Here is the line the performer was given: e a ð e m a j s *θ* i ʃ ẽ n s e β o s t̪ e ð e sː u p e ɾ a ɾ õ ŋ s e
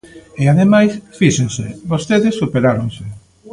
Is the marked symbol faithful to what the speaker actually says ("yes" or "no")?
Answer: no